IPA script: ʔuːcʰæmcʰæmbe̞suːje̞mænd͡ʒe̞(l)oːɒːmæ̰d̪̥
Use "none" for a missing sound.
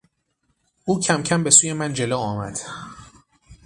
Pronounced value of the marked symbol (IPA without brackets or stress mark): l